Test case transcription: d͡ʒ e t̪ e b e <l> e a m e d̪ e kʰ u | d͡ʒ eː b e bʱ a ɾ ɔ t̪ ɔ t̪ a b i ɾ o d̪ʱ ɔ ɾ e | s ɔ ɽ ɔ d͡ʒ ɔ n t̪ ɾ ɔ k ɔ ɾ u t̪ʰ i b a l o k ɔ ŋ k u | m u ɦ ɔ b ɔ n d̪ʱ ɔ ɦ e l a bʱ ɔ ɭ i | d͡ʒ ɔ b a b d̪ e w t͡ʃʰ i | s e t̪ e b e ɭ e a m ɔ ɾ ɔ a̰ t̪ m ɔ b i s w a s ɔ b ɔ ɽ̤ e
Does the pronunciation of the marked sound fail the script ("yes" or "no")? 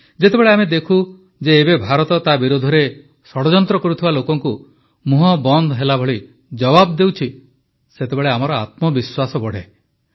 yes